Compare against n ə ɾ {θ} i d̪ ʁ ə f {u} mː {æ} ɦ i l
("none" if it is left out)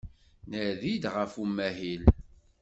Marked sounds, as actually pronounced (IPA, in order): ð, u, æ

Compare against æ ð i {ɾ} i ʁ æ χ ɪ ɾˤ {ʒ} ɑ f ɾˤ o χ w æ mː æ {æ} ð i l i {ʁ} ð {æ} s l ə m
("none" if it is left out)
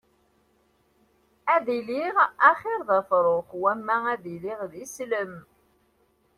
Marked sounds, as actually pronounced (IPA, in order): l, ð, æ, ʁ, i

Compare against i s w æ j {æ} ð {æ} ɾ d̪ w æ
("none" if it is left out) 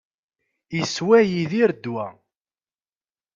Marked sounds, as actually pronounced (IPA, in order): i, i

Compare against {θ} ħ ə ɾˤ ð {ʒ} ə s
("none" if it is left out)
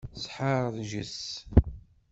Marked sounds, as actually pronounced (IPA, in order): s, ʒ

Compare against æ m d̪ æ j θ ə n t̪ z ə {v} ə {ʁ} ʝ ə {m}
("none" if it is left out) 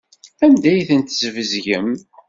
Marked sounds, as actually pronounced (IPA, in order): v, z, m

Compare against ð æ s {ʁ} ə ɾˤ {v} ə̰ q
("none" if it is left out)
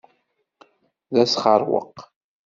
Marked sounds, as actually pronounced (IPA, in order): χ, w

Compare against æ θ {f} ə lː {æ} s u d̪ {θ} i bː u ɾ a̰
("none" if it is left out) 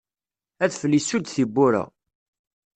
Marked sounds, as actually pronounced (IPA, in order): f, i, θ

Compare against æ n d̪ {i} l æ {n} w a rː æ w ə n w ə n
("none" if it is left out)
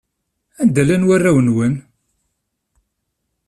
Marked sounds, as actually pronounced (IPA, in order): æ, n

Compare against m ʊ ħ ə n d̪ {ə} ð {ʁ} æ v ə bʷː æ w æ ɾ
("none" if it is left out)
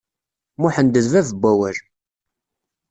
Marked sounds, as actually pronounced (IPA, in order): ə, v

